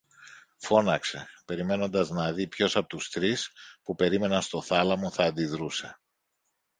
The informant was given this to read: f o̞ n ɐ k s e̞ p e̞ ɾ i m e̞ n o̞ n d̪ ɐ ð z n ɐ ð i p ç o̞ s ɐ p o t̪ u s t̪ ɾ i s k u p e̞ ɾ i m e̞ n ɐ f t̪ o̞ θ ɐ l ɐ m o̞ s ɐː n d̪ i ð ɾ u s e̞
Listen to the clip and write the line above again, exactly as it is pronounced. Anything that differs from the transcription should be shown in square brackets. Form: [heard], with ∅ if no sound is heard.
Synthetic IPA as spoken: f o̞ n ɐ k s e̞ p e̞ ɾ i m e̞ n o̞ n d̪ ɐ [∅] z n ɐ ð i p ç o̞ s ɐ p o t̪ u s t̪ ɾ i s [p] u p e̞ ɾ i m e̞ n ɐ [s] t̪ o̞ θ ɐ l ɐ m o̞ [θ] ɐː n d̪ i ð ɾ u s e̞